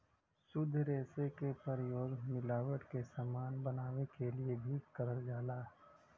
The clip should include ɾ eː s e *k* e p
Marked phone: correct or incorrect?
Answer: correct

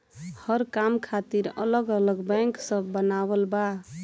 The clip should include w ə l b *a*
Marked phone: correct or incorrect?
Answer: correct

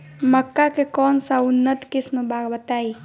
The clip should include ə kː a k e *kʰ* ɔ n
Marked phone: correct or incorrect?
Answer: incorrect: k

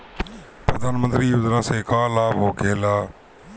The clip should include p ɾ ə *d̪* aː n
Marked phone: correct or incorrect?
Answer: correct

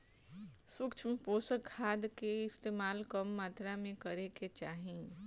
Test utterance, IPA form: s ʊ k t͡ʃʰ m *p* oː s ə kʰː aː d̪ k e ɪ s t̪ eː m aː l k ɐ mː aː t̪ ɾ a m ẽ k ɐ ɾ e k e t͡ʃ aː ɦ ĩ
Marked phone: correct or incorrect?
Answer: correct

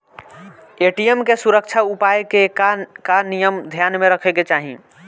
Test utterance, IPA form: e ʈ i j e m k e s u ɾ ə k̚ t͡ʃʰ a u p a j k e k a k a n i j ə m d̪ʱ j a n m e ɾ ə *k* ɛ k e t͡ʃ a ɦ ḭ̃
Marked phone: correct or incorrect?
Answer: incorrect: kʰ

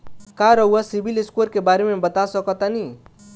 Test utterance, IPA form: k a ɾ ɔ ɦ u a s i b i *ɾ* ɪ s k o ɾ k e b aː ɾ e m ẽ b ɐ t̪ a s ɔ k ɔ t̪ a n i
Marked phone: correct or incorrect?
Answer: incorrect: l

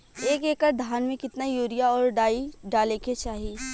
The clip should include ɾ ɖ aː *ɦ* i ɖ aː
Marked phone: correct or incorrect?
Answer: incorrect: none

